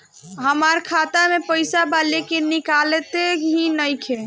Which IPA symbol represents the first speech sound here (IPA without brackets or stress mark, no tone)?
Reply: ɦ